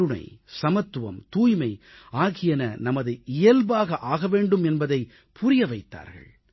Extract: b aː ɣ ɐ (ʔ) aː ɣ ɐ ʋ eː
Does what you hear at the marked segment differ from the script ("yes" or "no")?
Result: no